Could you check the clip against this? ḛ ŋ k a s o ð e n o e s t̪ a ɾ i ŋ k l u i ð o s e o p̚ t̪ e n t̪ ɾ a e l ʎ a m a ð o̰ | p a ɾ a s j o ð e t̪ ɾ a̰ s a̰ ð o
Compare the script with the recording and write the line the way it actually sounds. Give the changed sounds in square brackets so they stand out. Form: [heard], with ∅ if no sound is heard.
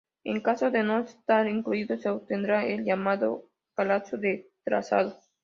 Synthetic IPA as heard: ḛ ŋ k a s o ð e n o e s t̪ a ɾ i ŋ k l u i ð o s e o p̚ t̪ e n [d̪] ɾ a e l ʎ a m a ð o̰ | p a [l] a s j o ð e t̪ ɾ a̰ s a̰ ð o

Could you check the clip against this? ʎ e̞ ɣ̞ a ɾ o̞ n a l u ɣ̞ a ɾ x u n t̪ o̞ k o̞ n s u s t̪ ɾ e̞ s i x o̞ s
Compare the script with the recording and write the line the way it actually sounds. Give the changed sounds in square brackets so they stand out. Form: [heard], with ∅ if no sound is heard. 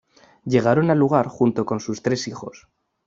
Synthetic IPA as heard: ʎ e̞ ɣ̞ a ɾ o̞ n a l u ɣ̞ a ɾ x u n t̪ o̞ k o̞ n s u s t̪ ɾ e̞ s i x o̞ s

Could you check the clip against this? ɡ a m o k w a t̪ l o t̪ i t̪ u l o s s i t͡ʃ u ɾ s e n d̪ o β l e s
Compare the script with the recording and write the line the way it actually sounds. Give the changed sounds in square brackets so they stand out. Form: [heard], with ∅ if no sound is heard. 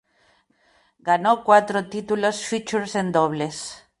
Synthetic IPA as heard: ɡ a [n] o k w a t̪ [ɾ] o t̪ i t̪ u l o s [f] i t͡ʃ u ɾ s e n d̪ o β l e s

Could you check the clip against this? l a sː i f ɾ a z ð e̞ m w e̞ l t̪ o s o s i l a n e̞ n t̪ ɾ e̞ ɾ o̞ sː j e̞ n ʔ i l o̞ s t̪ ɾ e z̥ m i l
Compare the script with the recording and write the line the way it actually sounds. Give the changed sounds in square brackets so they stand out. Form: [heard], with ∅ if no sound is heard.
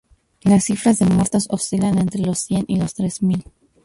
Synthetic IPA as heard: l a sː i f ɾ a z ð e̞ m w e̞ [ɾ] t̪ o s o s i l a n e̞ n t̪ ɾ e̞ [l] o̞ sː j e̞ n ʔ i l o̞ s t̪ ɾ e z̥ m i l

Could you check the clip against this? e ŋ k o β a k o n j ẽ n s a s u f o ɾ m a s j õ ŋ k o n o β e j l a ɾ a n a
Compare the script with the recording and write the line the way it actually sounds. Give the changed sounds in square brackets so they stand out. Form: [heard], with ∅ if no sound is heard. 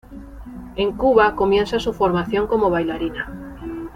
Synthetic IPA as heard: e ŋ k [u] β a k o [m] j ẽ n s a s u f o ɾ m a [θ] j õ ŋ k o [m] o β [a] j l a ɾ [i] n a

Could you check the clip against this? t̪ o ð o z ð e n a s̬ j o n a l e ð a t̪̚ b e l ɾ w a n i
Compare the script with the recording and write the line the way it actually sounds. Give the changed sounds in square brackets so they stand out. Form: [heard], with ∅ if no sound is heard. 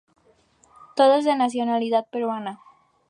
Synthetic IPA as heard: t̪ o ð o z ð e n a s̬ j o n a l [i] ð a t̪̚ [p] e [∅] ɾ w a n [a]

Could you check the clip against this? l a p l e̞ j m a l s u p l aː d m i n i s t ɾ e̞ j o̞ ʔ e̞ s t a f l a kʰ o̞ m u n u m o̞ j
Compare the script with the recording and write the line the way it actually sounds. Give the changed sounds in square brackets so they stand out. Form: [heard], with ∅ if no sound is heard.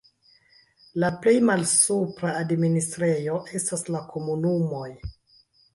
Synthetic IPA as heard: l a p l e̞ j m a l s u p [ɾ] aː d m i n i s t ɾ e̞ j o̞ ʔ e̞ s t a [s] l a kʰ o̞ m u n u m o̞ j

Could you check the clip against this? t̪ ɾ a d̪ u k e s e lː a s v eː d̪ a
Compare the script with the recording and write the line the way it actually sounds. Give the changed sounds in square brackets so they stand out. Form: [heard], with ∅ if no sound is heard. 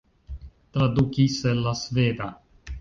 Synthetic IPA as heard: t̪ ɾ a d̪ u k [i] s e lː a s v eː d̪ a

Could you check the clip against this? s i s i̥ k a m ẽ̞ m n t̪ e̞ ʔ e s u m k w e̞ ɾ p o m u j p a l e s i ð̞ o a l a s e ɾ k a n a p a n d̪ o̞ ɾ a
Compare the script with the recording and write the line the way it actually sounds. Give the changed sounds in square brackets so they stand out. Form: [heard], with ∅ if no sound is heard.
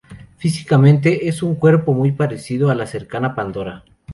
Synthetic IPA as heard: [f] i s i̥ k a m ẽ̞ [∅] n t̪ e̞ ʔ e s u [ŋ] k w e̞ ɾ p o m u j p a [ɾ] e s i ð̞ o a l a s e ɾ k a n a p a n d̪ o̞ ɾ a

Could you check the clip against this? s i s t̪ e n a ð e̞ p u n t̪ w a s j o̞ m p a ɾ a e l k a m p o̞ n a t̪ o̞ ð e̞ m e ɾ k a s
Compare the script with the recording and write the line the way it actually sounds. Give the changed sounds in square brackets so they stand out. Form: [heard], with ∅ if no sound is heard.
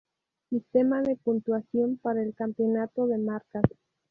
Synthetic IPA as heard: s i s t̪ e [m] a ð e̞ p u n t̪ w a s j o̞ m p a ɾ a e l k a m p o̞ n a t̪ o̞ ð e̞ m [a] ɾ k a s

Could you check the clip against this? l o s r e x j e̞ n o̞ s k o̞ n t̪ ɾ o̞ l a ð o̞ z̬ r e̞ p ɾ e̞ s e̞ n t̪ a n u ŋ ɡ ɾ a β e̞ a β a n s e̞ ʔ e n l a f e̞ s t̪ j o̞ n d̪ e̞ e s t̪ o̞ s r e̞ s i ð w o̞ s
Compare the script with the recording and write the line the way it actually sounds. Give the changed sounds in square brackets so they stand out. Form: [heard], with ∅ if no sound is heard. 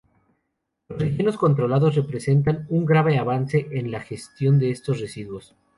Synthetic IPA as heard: l o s r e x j e̞ n o̞ s k o̞ n t̪ ɾ o̞ l a ð o̞ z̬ r e̞ p ɾ e̞ s e̞ n t̪ a n u ŋ ɡ ɾ a β e̞ a β a n s e̞ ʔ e n l a [x] e̞ s t̪ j o̞ n d̪ e̞ e s t̪ o̞ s r e̞ s i ð w o̞ s

